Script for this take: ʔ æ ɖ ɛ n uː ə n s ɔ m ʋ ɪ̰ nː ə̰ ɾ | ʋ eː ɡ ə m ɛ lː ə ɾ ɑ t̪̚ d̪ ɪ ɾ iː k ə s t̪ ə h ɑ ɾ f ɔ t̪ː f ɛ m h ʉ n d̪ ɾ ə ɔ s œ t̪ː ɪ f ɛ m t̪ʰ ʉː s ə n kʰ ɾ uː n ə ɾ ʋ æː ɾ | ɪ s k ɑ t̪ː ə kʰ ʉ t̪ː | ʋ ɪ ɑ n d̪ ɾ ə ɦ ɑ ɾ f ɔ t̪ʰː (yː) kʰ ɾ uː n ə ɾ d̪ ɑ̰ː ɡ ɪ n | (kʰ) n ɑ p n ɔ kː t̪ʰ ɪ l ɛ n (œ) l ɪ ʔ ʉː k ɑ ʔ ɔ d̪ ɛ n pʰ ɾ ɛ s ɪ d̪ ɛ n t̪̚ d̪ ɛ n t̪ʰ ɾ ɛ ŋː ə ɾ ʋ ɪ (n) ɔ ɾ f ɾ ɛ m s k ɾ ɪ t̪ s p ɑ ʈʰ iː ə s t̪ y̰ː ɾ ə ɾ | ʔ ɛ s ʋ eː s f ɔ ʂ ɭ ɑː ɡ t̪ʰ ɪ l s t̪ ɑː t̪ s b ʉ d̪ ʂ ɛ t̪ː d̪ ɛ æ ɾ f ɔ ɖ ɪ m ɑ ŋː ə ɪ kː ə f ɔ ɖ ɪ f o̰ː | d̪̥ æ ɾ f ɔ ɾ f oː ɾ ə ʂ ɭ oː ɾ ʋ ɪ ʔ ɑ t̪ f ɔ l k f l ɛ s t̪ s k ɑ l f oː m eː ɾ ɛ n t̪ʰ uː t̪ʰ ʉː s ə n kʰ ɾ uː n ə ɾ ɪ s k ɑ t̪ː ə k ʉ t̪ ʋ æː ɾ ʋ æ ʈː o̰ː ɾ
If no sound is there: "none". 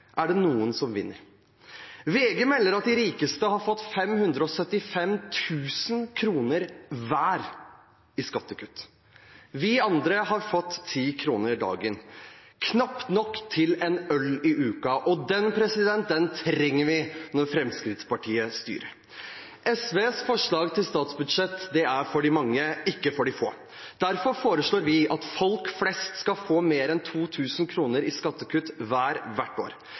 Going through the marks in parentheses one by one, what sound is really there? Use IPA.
iː, kʰ, œ, n

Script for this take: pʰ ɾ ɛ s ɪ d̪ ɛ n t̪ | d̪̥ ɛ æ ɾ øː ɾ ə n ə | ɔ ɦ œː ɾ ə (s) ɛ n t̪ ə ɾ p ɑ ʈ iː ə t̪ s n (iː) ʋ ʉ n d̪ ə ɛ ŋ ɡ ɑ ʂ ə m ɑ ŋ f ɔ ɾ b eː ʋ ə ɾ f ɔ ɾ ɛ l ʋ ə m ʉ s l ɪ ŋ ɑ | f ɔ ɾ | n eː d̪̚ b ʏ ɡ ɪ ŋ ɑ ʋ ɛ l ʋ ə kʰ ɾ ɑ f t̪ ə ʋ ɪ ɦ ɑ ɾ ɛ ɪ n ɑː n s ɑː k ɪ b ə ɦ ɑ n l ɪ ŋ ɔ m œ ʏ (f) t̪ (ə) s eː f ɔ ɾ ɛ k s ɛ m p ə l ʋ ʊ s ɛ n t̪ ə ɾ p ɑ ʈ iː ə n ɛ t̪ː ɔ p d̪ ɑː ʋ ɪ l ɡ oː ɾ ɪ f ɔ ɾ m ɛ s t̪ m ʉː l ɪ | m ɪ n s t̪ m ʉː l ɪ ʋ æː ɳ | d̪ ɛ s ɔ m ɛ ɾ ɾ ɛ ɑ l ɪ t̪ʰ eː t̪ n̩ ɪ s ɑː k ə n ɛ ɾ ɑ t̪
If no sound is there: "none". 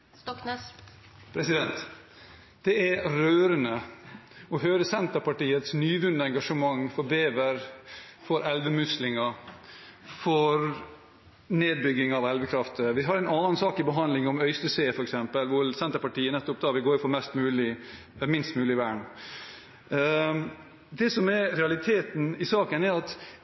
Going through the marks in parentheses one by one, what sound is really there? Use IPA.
s, yː, s, ə

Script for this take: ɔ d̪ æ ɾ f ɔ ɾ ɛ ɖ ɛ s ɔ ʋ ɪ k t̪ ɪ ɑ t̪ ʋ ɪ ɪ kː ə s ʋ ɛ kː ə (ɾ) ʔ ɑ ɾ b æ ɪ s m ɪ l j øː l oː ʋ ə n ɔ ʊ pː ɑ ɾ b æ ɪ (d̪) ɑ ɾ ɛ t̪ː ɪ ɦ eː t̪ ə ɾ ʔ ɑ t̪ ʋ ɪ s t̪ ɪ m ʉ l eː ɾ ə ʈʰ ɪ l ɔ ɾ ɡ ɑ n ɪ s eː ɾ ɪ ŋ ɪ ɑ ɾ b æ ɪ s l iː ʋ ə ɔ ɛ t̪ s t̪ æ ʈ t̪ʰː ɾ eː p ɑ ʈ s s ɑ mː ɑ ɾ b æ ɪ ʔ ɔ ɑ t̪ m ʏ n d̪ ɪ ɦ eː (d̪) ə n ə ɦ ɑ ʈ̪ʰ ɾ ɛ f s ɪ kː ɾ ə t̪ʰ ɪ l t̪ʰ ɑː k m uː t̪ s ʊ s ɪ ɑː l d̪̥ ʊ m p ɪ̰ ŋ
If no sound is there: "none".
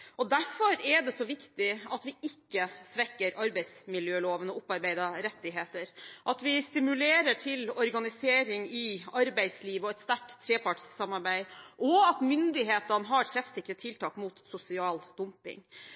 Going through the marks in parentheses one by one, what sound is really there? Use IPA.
ɾ, d̪, t̪

